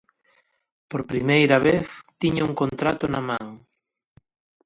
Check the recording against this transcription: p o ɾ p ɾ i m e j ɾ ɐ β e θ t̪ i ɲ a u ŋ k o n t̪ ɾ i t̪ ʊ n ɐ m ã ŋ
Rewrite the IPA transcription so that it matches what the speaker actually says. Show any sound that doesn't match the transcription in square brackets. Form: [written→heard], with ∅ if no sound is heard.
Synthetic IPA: p o ɾ p ɾ i m e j ɾ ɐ β e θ t̪ i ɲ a u ŋ k o n t̪ ɾ [i→a] t̪ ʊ n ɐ m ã ŋ

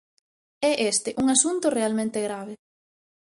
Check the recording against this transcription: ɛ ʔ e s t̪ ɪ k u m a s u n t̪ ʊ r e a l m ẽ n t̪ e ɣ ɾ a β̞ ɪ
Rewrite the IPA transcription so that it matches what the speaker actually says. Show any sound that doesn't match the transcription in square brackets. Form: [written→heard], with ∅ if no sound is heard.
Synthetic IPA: ɛ ʔ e s t̪ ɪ [k→ʔ] u [m→ŋ] a s u n t̪ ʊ r e a l m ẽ n t̪ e ɣ ɾ a β̞ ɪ

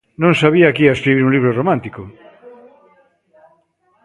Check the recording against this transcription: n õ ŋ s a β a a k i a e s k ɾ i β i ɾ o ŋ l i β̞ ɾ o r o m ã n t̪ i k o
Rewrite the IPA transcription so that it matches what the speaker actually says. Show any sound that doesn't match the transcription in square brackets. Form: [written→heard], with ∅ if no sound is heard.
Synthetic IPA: n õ ŋ s a β [a→i] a k i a e s k ɾ i β i ɾ [o→u] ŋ l i β̞ ɾ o r o m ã n t̪ i k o

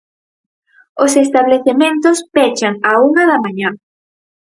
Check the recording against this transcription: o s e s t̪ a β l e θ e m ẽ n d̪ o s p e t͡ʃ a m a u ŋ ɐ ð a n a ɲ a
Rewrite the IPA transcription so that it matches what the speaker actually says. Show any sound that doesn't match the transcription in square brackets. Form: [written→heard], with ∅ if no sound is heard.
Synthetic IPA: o s e s t̪ a β l e θ e m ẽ n [d̪→t̪] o s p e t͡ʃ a [m→ŋ] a u ŋ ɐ ð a [n→m] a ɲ a

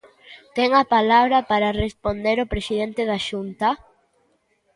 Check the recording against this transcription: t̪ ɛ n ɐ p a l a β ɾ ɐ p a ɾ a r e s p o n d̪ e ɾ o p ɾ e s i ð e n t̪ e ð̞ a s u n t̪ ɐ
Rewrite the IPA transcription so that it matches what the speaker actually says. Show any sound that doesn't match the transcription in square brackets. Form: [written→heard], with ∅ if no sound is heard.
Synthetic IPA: t̪ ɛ [n→ŋ] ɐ p a l a β ɾ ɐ p a ɾ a r e s p o n d̪ e ɾ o p ɾ e s i ð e n t̪ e ð̞ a [s→ʃ] u n t̪ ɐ

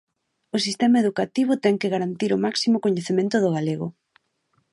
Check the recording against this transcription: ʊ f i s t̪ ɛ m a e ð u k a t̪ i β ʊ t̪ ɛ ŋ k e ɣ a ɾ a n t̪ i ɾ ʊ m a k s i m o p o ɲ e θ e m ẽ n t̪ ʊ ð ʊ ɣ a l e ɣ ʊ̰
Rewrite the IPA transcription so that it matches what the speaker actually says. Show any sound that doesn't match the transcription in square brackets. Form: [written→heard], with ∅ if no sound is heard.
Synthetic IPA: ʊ [f→s] i s t̪ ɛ m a e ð u k a t̪ i β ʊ t̪ ɛ ŋ k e ɣ a ɾ a n t̪ i ɾ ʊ m a k s i m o [p→k] o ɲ e θ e m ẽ n t̪ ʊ ð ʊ ɣ a l e ɣ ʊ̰

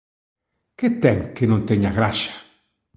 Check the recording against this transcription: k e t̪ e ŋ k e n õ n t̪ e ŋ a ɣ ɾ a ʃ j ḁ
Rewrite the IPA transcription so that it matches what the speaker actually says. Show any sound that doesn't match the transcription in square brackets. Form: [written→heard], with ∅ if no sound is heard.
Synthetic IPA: k e t̪ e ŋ k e n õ n t̪ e [ŋ→ɲ] a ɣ ɾ a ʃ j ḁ

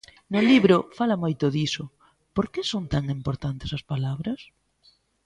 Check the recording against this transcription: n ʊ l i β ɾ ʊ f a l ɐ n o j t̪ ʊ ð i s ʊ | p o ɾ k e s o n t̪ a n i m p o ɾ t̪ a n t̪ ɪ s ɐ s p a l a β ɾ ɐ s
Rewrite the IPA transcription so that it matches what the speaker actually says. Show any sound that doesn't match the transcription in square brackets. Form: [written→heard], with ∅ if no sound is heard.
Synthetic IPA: n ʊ l i β ɾ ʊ f a l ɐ [n→m] o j t̪ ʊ ð i s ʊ | p o ɾ k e s o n t̪ a [n→ŋ] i m p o ɾ t̪ a n t̪ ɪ s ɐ s p a l a β ɾ ɐ s

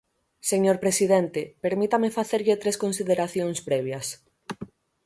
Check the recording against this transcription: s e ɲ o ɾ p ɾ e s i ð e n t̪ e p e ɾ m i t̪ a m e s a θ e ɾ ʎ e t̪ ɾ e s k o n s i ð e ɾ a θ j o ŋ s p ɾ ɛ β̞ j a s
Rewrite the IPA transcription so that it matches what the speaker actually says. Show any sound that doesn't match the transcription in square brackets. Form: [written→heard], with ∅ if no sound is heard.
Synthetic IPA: s e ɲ o ɾ p ɾ e s i ð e n t̪ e p e ɾ m i t̪ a m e [s→f] a θ e ɾ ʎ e t̪ ɾ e s k o n s i ð e ɾ a θ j o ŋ s p ɾ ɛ β̞ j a s

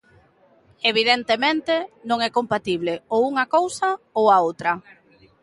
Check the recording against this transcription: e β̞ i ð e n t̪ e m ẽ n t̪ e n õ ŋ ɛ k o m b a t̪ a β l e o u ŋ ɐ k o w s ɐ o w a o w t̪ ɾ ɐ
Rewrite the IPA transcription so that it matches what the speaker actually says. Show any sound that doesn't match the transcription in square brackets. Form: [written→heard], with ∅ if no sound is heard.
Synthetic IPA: e β̞ i ð e n t̪ e m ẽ n t̪ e n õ ŋ ɛ k o m [b→p] a t̪ [a→i] β l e o u ŋ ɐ k o w s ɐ o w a o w t̪ ɾ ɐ

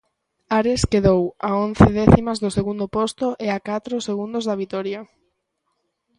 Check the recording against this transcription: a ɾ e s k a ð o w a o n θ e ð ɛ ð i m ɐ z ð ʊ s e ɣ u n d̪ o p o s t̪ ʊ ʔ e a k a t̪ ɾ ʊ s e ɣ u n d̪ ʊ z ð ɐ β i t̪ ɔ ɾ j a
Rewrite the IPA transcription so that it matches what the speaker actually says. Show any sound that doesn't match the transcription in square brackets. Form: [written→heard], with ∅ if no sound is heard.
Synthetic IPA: a ɾ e s k [a→e] ð o w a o n θ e ð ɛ [ð→θ] i m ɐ z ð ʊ s e ɣ u n d̪ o p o s t̪ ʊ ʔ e a k a t̪ ɾ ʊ s e ɣ u n d̪ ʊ z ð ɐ β i t̪ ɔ ɾ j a

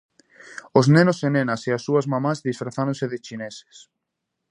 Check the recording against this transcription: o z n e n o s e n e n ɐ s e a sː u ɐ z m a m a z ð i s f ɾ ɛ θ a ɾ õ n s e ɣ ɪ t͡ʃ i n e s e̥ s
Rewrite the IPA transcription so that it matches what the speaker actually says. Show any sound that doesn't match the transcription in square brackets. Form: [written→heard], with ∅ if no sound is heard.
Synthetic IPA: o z n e n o s e n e n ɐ s e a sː u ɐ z m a m a z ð i s f ɾ [ɛ→a] θ a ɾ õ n s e [ɣ→ð] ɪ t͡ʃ i n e s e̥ s

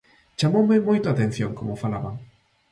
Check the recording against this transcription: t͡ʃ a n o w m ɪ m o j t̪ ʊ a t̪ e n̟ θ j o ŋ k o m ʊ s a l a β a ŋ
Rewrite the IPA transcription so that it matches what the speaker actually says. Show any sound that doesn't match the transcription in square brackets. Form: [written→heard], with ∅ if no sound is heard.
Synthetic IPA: t͡ʃ a [n→m] o w m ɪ m o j t̪ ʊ a t̪ e n̟ θ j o ŋ k o m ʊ [s→f] a l a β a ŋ

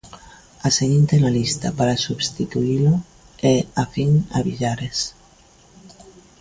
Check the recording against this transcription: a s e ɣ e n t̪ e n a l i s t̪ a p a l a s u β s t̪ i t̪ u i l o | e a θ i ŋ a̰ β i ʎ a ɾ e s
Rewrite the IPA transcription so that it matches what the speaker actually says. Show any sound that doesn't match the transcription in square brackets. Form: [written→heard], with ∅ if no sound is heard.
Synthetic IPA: a s e ɣ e n t̪ e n a l i s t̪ a p a [l→ɾ] a s u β s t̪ i t̪ u i l o | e a [θ→f] i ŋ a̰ β i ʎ a ɾ e s

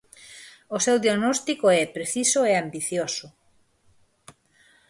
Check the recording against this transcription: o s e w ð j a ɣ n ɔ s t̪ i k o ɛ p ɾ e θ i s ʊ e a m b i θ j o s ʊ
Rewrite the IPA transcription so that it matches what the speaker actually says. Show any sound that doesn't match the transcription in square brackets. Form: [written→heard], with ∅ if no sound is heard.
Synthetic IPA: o s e w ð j a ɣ n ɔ s t̪ i k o ɛ p ɾ e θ i s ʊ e a m b i θ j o s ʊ

